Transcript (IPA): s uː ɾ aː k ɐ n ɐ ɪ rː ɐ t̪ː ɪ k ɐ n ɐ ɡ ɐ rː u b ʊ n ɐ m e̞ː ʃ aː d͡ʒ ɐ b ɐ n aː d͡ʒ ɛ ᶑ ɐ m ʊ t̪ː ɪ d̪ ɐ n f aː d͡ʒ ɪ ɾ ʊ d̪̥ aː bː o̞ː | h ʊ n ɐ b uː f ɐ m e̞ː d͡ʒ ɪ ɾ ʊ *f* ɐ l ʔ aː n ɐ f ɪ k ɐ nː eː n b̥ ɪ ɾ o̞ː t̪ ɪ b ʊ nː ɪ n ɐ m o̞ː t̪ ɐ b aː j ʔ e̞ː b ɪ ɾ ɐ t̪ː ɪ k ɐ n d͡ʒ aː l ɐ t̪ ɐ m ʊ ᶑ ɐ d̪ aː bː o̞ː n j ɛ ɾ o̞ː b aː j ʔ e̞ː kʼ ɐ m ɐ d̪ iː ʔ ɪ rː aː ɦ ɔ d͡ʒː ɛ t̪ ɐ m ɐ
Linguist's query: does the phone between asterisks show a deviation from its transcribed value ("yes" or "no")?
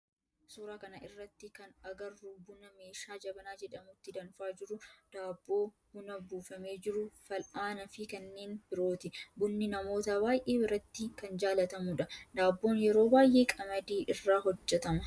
no